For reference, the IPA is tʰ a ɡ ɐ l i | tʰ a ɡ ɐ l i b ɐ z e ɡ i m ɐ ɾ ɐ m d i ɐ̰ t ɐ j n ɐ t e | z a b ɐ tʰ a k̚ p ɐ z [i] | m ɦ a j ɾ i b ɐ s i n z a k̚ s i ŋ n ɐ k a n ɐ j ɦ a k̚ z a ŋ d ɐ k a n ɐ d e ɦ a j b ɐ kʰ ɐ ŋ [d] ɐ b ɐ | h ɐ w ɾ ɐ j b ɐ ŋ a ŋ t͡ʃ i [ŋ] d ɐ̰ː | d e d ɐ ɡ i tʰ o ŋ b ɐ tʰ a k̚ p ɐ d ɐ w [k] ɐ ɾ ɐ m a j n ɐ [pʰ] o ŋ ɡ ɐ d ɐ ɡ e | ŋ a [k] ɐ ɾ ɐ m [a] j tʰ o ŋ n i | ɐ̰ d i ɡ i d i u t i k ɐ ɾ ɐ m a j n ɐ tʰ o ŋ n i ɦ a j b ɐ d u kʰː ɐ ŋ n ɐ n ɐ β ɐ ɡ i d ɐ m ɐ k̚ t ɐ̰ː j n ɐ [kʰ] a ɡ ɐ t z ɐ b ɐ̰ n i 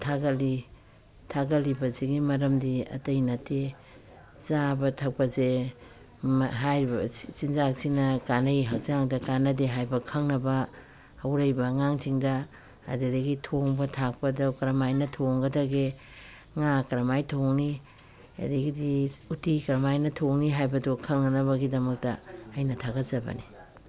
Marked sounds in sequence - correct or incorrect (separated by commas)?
incorrect, incorrect, correct, correct, incorrect, correct, correct, incorrect